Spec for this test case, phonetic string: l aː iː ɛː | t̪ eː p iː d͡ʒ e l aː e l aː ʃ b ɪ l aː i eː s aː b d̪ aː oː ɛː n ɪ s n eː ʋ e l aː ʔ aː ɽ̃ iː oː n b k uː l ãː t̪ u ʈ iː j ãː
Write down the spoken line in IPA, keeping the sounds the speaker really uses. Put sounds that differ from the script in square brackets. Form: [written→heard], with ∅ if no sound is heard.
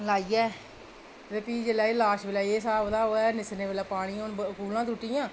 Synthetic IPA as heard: l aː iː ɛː | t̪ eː p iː d͡ʒ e l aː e l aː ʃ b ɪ l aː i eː s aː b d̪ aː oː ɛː n ɪ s n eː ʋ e l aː [ʔ→p] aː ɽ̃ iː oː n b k uː l ãː t̪ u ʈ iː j ãː